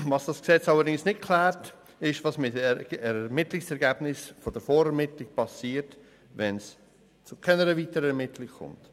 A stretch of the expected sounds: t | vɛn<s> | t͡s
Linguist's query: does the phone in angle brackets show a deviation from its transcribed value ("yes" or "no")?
no